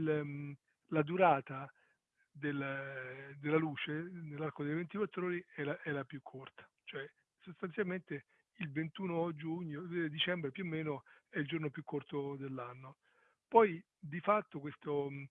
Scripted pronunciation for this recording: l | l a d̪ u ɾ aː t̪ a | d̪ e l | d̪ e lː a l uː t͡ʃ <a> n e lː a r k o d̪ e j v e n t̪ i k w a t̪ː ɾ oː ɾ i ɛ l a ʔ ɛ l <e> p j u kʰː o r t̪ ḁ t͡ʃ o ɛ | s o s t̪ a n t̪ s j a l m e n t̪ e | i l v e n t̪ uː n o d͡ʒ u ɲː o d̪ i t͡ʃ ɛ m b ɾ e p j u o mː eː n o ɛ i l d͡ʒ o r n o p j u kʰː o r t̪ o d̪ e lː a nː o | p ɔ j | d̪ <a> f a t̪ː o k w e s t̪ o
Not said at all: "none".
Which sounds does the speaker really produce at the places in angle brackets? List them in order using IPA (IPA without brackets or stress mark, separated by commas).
e, a, i